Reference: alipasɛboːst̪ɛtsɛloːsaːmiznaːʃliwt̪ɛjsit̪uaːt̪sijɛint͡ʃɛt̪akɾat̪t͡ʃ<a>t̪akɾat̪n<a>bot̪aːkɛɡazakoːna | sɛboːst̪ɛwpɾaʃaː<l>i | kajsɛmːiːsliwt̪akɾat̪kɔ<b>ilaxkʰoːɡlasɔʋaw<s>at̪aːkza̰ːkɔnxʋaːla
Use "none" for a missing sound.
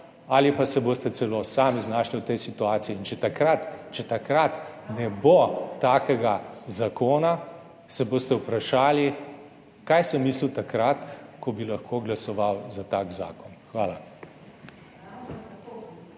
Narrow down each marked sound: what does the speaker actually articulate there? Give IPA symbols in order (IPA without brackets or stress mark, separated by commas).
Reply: ɛ, ɛ, l, b, z